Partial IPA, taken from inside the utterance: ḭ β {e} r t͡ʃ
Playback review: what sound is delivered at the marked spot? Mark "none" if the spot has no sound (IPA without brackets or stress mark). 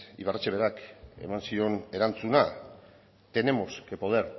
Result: a